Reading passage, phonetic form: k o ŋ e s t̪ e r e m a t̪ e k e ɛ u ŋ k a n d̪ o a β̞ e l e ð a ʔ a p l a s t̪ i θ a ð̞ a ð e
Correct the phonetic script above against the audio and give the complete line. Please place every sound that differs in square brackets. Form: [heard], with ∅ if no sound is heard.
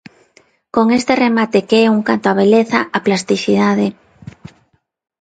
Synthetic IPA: k o ŋ e s t̪ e r e m a t̪ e k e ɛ u ŋ k a n [t̪] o a β̞ e l e [θ] a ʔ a p l a s t̪ i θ [i] ð̞ a ð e